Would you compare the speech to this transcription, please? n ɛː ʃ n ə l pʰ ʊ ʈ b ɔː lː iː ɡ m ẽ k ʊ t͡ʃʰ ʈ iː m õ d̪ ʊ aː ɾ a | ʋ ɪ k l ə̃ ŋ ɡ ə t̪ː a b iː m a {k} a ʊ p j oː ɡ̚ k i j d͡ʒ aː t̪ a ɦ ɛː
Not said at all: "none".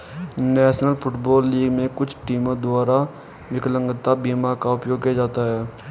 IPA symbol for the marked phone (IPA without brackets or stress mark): k